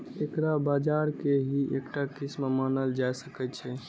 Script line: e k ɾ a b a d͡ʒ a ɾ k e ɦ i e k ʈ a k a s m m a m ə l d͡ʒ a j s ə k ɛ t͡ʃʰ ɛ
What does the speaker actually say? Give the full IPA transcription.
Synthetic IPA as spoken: e k ɾ a b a d͡ʒ a ɾ k e ɦ i e k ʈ a k i s m m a n ə l d͡ʒ a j s ə k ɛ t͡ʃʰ ɛ